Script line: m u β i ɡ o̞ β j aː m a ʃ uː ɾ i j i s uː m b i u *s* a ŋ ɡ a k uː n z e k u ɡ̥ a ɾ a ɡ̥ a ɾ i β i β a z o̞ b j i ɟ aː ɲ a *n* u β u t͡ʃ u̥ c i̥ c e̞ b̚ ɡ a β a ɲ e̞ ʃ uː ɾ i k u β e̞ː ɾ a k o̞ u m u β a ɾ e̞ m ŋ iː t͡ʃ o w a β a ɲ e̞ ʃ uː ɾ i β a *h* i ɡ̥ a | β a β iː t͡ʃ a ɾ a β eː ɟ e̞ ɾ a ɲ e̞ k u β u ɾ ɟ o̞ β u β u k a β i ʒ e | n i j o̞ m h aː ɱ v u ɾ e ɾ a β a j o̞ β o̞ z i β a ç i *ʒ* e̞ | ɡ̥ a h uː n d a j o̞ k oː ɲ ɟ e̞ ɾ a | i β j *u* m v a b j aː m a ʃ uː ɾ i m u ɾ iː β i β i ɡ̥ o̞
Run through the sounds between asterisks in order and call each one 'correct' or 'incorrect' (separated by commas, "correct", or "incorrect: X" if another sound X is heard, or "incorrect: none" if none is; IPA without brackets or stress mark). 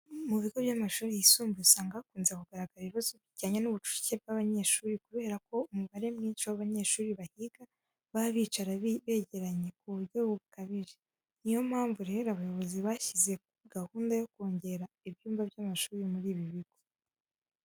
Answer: correct, correct, correct, incorrect: z, incorrect: uː